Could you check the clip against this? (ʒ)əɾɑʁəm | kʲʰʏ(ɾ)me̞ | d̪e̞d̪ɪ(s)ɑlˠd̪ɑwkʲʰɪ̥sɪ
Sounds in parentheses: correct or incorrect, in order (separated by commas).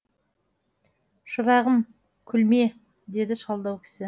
incorrect, incorrect, incorrect